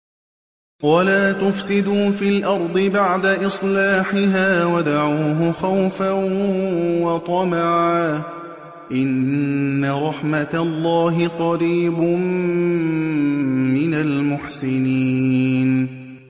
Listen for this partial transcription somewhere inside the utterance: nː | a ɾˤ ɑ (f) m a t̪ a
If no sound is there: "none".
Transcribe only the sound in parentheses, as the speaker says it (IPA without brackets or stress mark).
ħ